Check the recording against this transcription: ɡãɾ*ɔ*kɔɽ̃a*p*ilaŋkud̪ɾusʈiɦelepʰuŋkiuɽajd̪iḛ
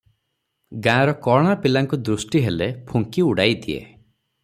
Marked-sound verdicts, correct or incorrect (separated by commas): correct, correct